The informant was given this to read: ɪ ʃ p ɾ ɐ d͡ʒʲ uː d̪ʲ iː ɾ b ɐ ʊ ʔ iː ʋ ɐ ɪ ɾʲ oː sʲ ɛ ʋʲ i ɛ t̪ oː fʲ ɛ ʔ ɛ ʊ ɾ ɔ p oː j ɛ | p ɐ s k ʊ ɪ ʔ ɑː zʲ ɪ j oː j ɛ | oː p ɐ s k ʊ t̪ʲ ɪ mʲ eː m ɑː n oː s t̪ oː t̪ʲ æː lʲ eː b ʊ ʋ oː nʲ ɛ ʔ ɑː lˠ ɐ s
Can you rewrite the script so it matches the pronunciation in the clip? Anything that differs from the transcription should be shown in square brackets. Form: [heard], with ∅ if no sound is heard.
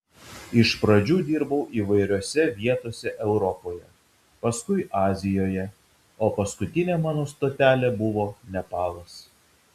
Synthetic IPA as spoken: ɪ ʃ p ɾ ɐ d͡ʒʲ uː d̪ʲ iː ɾ b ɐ ʊ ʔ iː ʋ ɐ ɪ ɾʲ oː sʲ ɛ ʋʲ i ɛ t̪ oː [sʲ] ɛ ʔ ɛ ʊ ɾ ɔ p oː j ɛ | p ɐ s k ʊ ɪ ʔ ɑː zʲ ɪ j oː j ɛ | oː p ɐ s k ʊ t̪ʲ ɪ [nʲ] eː m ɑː n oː s t̪ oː t̪ʲ æː lʲ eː b ʊ ʋ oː nʲ ɛ [p] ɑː lˠ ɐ s